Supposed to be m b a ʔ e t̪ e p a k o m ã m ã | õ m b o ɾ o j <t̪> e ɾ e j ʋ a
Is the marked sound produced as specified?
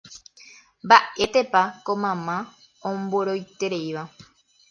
yes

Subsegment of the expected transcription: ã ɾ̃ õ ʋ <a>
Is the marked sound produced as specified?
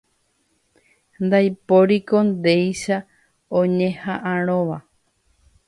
yes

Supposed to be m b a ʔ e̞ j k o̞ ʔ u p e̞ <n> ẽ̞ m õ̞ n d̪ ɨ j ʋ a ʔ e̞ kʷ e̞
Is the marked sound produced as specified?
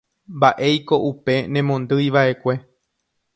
yes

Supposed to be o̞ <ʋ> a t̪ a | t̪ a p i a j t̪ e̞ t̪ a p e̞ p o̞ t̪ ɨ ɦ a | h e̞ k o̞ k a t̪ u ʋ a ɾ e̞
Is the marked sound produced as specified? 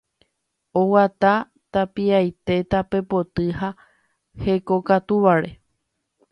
no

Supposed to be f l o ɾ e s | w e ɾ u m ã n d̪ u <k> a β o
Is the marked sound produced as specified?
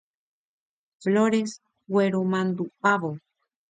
no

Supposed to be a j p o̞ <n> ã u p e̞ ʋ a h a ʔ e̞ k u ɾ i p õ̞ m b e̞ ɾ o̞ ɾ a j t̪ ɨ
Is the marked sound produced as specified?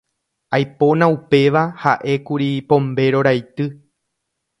yes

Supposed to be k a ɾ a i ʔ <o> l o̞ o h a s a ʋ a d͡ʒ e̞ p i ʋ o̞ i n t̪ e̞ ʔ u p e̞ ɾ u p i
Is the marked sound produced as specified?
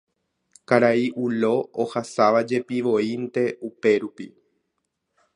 no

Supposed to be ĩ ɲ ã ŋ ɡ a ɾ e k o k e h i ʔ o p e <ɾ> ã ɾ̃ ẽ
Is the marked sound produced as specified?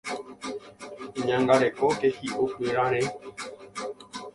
yes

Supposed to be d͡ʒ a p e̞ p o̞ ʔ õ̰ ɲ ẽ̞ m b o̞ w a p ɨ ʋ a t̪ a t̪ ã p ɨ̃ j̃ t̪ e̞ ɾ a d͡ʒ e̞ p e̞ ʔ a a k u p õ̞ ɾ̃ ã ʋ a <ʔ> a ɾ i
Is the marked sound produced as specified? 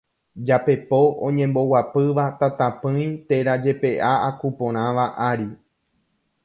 yes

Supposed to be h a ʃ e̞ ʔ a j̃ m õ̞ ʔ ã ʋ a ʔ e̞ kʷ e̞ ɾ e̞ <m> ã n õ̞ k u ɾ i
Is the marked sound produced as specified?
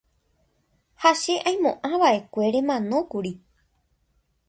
yes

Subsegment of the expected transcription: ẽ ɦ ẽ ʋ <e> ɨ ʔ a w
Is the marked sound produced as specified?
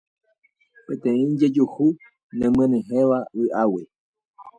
no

